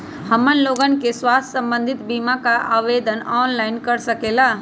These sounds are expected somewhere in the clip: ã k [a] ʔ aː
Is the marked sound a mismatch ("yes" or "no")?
no